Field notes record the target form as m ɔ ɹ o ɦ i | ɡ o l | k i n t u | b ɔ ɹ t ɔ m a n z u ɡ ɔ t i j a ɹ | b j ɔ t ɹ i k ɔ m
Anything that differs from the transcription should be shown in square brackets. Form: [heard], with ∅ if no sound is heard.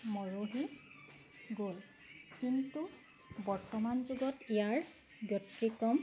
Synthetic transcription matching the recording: m ɔ ɹ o ɦ i | ɡ o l | k i n t u | b ɔ ɹ t ɔ m a n z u ɡ ɔ t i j a ɹ | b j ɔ t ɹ i k ɔ m